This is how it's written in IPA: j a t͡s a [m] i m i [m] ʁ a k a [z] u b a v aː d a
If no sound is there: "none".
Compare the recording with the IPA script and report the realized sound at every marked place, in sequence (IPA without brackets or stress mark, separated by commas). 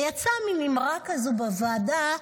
m, m, z